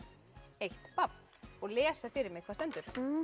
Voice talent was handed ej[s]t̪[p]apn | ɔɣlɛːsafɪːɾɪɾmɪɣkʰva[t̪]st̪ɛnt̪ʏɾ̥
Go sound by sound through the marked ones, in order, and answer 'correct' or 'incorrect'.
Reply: incorrect, correct, incorrect

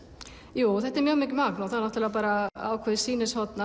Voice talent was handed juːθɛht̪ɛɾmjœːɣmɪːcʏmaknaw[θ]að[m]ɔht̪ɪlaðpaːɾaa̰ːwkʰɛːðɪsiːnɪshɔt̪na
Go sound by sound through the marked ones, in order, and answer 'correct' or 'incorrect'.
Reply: correct, incorrect

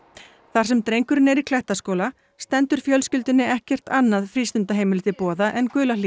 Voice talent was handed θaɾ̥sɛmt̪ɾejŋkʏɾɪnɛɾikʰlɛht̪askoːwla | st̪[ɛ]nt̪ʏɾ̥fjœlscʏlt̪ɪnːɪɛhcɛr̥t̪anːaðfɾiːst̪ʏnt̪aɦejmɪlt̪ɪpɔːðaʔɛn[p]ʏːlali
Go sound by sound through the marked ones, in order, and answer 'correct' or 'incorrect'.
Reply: correct, incorrect

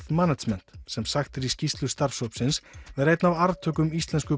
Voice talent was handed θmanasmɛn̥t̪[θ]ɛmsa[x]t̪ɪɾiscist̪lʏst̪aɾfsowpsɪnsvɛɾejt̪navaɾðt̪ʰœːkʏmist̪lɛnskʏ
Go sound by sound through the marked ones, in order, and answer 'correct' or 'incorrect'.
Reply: incorrect, correct

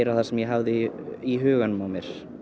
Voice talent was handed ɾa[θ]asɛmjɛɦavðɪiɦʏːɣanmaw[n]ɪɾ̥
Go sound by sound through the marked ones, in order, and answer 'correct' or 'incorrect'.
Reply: correct, incorrect

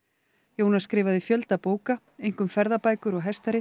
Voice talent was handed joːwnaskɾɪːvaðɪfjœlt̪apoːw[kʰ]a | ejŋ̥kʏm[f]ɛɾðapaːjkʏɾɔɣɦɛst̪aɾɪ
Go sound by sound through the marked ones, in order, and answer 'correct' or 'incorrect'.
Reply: incorrect, correct

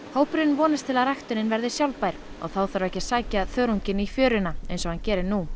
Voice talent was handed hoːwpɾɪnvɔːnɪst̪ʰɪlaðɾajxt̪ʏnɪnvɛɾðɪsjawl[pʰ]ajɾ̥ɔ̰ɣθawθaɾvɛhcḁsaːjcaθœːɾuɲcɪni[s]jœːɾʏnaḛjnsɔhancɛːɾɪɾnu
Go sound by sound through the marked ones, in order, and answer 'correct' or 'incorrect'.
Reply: incorrect, incorrect

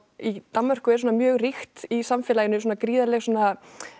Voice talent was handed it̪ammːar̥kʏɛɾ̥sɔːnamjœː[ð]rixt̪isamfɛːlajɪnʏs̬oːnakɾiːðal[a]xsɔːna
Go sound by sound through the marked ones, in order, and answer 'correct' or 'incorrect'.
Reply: incorrect, incorrect

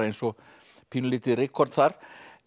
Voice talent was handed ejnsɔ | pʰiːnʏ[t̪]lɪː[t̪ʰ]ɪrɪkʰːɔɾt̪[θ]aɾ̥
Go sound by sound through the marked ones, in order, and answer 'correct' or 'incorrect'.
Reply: incorrect, incorrect, correct

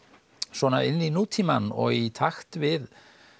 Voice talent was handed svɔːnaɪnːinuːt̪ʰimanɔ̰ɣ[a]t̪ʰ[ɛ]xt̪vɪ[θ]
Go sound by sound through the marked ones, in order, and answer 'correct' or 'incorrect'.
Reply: incorrect, incorrect, incorrect

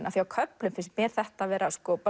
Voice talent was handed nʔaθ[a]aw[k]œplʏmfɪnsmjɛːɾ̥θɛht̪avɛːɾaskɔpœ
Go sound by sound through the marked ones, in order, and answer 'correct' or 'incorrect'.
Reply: incorrect, incorrect

